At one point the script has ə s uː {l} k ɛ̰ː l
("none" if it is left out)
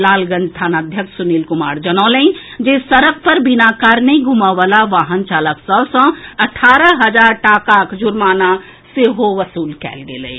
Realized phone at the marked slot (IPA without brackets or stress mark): l